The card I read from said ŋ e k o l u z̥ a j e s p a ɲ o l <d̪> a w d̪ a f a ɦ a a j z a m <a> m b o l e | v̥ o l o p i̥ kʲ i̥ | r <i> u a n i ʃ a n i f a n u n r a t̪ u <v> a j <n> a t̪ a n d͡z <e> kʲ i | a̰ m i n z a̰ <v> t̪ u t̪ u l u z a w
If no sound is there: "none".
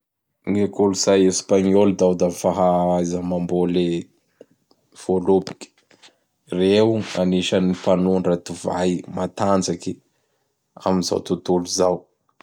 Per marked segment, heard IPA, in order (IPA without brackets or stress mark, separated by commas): d̪, a, e, v, m, a, w